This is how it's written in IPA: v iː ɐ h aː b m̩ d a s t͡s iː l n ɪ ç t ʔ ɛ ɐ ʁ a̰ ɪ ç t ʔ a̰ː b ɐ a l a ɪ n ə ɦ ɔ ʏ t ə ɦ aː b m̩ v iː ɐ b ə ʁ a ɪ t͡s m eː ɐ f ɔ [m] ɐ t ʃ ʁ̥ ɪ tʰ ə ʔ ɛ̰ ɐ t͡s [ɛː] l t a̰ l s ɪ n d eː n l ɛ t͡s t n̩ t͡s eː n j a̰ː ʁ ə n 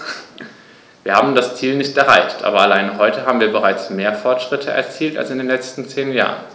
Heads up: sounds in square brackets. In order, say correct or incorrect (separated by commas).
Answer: incorrect, incorrect